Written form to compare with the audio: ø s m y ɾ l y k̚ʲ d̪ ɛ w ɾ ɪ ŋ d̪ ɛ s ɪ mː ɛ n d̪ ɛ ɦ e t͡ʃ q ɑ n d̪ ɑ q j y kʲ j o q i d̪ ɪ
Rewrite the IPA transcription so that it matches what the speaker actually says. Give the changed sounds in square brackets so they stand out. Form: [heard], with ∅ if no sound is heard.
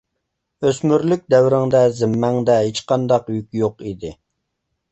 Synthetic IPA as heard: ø s m y ɾ l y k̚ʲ d̪ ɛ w ɾ ɪ ŋ d̪ ɛ [z] ɪ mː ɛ [ŋ] d̪ ɛ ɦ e t͡ʃ q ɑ n d̪ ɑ q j y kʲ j o q i d̪ ɪ